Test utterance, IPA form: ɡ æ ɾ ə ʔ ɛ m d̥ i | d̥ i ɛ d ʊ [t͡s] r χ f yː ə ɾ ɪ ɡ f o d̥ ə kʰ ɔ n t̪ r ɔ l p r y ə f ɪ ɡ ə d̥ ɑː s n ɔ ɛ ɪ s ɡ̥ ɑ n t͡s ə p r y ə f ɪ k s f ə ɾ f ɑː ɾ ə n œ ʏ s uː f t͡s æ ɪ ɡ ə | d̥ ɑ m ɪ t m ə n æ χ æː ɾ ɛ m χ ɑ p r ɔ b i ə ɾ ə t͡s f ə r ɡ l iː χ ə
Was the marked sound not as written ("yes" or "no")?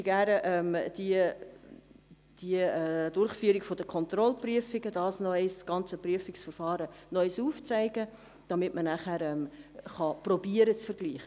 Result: yes